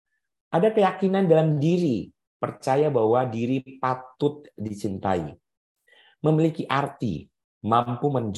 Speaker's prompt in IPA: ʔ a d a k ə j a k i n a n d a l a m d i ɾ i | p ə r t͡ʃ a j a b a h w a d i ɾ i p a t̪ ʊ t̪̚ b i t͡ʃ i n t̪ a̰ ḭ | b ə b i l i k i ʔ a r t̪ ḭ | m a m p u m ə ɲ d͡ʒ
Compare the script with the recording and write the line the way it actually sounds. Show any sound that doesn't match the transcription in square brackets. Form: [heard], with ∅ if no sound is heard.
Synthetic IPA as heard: ʔ a d a k ə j a k i n a n d a l a m d i ɾ i | p ə r t͡ʃ a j a b a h w a d i ɾ i p a t̪ ʊ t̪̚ [d] i t͡ʃ i n t̪ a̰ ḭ | [m] ə [m] i l i k i ʔ a r t̪ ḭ | m a m p u m ə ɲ d͡ʒ